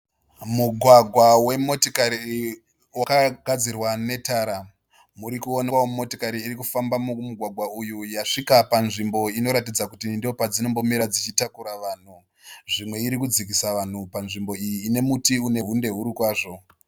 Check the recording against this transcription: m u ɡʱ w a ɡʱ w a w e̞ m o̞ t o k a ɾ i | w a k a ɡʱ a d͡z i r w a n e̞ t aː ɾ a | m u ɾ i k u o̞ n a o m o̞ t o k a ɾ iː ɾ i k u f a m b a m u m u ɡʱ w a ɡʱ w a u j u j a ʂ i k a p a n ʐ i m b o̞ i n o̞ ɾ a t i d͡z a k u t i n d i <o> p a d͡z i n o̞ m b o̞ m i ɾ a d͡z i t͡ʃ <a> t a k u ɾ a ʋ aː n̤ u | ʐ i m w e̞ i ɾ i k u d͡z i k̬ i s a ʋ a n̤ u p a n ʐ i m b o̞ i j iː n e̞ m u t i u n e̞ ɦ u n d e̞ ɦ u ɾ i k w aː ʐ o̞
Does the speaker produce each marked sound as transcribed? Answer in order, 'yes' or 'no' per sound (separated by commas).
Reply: yes, no